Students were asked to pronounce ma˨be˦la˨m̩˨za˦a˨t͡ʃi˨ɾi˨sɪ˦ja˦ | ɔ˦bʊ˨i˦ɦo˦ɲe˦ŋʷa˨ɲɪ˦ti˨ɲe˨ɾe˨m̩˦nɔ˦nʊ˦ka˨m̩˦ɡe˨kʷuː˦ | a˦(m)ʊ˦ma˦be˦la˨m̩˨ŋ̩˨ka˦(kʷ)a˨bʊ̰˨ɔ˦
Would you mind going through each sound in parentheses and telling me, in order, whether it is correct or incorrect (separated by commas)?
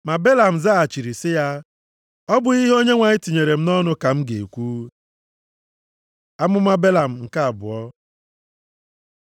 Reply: correct, incorrect